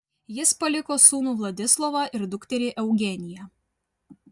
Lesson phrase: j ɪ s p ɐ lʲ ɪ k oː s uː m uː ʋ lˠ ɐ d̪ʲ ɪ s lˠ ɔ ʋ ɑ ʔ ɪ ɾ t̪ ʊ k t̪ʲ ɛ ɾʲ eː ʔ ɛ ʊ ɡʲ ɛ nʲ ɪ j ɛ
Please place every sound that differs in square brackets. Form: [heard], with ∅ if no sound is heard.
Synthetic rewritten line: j ɪ s p ɐ lʲ ɪ k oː s uː [n] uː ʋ lˠ ɐ d̪ʲ ɪ s lˠ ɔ ʋ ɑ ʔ ɪ ɾ [d̪] ʊ k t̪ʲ ɛ ɾʲ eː ʔ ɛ ʊ ɡʲ ɛ nʲ ɪ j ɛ

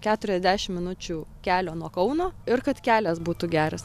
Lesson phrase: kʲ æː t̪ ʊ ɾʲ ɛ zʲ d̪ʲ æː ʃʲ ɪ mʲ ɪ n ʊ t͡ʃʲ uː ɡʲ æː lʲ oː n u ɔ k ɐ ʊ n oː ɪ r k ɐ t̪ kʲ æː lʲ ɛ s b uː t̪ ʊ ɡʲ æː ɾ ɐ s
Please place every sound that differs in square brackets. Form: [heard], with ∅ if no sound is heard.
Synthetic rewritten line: kʲ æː t̪ ʊ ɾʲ ɛ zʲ d̪ʲ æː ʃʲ ɪ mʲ ɪ n ʊ t͡ʃʲ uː [kʲ] æː lʲ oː n u ɔ k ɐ ʊ n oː ɪ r k ɐ t̪ kʲ æː lʲ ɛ s b uː t̪ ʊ ɡʲ æː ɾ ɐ s

